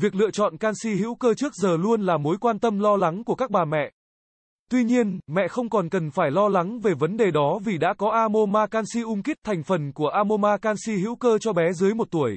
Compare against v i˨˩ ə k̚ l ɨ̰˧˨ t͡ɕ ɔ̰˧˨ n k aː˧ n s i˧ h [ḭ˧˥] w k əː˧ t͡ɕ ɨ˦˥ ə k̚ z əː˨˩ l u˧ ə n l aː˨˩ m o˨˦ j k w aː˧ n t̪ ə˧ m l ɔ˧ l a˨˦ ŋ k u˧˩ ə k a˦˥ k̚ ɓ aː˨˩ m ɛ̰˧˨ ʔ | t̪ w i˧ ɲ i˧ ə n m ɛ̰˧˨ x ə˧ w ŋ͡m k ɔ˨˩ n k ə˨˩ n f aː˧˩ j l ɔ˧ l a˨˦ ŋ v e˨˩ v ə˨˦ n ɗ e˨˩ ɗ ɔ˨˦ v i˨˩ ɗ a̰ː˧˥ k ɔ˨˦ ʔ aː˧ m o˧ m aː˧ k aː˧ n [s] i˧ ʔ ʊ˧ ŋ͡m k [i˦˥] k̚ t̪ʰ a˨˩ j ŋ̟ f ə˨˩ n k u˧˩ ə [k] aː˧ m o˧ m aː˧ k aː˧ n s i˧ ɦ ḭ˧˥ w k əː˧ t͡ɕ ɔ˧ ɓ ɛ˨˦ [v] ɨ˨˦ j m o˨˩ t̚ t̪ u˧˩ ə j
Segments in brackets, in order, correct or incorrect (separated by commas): correct, correct, correct, incorrect, incorrect